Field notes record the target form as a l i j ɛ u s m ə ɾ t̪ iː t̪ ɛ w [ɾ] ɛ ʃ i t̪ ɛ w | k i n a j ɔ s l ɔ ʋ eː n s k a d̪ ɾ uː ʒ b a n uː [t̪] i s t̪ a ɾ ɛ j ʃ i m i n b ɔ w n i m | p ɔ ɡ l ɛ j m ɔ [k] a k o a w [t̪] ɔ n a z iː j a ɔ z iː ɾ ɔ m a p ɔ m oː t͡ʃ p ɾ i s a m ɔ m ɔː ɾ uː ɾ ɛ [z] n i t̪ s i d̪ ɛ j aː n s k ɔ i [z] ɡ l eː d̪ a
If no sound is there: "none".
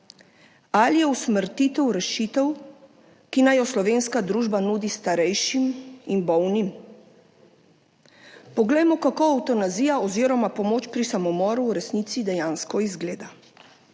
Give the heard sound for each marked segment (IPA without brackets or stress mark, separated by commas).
ɾ, d̪, k, t̪, s, z